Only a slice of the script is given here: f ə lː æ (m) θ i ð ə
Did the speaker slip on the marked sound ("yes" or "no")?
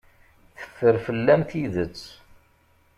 no